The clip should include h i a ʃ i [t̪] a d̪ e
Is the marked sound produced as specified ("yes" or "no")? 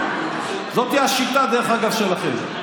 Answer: yes